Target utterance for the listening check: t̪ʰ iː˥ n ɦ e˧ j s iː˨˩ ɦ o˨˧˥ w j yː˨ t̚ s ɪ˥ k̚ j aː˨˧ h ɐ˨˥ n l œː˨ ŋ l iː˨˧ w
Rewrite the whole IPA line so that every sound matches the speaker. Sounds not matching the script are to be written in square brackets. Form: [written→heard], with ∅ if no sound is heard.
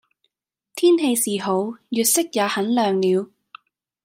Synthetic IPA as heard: t̪ʰ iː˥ n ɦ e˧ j s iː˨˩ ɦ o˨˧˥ w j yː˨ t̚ s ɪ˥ k̚ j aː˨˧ h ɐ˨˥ n l œː˨ ŋ l iː˨˧ w